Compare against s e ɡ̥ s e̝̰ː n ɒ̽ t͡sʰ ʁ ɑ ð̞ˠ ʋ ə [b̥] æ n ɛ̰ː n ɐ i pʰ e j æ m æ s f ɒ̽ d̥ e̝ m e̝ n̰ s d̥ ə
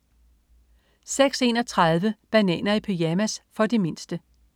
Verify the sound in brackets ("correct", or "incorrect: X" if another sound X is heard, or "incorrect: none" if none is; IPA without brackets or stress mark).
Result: correct